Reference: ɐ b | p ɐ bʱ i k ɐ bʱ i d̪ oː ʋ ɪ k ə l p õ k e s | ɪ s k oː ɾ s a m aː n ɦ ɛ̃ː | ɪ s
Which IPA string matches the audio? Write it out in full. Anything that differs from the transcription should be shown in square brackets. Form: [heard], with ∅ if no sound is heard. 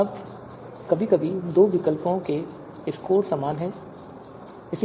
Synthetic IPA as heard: ɐ b | [k] ɐ bʱ i k ɐ bʱ i d̪ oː ʋ ɪ k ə l p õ k e [∅] | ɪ s k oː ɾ s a m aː n ɦ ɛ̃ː | ɪ s